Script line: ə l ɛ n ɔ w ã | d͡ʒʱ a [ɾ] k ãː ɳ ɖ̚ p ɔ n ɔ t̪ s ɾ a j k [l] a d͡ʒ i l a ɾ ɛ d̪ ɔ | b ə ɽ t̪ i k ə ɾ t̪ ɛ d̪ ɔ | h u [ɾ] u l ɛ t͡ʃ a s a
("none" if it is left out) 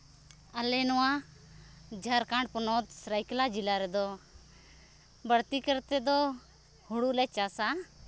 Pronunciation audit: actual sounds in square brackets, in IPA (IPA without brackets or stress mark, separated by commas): ɾ, l, ɽ